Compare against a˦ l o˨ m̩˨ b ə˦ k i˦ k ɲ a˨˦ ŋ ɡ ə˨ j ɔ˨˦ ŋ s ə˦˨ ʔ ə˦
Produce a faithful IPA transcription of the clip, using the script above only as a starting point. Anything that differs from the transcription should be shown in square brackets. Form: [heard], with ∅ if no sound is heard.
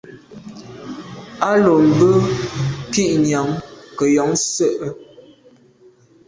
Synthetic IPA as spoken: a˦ l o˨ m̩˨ b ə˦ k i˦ [ʔ] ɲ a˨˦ ŋ [k] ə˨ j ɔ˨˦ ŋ s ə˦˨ ʔ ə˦